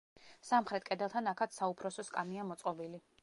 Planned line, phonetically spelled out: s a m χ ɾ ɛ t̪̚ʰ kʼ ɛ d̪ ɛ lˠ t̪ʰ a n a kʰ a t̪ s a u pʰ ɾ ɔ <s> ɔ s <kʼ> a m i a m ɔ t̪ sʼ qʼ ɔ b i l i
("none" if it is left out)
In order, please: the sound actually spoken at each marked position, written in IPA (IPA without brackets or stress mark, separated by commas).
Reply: s, kʼ